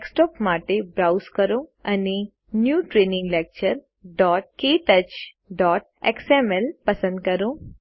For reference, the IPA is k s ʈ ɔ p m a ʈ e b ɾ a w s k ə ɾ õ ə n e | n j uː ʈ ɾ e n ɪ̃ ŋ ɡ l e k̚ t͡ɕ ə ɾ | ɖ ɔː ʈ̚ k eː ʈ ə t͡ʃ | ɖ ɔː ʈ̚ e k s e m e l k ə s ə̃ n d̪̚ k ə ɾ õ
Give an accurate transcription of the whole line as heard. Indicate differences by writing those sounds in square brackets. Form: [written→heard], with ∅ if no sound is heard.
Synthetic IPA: k s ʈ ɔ p m a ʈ e b ɾ a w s k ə ɾ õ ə n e | n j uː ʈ ɾ e n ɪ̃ ŋ ɡ l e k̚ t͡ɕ ə ɾ | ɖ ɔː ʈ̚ k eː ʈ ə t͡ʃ | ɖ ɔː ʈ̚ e k s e m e l [k→p] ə s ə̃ n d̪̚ k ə ɾ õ